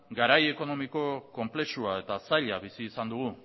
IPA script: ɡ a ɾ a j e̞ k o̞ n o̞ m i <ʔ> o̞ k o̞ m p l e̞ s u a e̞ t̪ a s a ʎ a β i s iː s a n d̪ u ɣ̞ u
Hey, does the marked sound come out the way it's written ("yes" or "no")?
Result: no